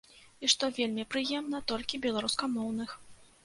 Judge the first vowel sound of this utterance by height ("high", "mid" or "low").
high